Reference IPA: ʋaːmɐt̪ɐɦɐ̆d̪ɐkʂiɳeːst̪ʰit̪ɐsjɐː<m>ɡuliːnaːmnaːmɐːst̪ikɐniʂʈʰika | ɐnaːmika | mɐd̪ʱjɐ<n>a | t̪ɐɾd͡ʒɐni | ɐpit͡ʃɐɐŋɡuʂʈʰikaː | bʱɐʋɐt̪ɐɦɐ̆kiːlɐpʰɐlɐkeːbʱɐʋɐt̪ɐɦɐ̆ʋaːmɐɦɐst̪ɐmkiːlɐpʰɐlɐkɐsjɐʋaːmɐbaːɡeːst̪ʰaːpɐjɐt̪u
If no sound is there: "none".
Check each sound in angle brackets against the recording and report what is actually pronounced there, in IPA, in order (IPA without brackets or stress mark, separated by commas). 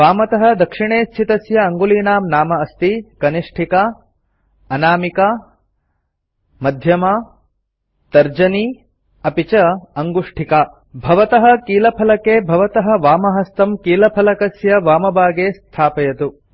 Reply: ŋ, m